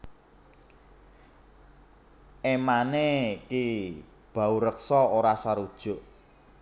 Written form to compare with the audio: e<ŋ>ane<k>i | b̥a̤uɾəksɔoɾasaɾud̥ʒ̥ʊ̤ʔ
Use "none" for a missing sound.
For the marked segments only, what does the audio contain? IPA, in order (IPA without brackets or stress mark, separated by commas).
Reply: m, k